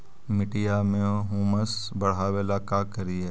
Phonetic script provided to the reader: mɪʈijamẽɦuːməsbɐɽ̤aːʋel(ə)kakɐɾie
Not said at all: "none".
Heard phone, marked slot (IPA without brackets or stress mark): a